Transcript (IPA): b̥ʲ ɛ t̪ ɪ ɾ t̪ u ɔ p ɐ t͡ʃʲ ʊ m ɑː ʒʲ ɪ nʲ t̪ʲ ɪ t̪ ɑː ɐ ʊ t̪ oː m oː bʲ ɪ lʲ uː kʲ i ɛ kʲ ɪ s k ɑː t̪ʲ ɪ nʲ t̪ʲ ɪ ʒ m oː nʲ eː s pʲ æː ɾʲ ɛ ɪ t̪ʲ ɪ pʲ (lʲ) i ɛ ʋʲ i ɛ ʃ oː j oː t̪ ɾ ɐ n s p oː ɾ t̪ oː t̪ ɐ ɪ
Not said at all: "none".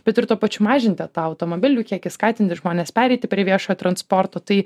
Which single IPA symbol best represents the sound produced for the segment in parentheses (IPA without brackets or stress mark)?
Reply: ɾʲ